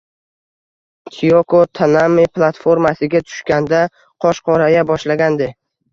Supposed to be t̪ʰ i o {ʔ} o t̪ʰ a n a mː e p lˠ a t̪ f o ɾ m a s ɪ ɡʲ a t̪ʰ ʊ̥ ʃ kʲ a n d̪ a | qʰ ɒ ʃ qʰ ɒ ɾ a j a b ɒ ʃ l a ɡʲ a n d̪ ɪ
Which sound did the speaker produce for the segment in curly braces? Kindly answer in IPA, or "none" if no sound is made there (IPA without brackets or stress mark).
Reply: k